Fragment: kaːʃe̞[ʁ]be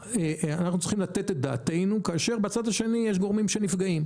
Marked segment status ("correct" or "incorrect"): correct